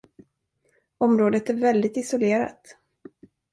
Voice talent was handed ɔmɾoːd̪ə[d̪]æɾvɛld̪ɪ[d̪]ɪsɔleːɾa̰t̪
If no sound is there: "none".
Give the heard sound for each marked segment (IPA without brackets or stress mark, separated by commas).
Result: t̪, t̪